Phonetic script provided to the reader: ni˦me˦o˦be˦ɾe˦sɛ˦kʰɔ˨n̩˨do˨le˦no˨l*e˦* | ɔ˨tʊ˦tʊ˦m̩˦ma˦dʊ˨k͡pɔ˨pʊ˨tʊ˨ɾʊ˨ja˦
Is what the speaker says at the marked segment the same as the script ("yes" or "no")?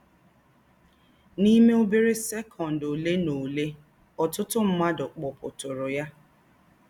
yes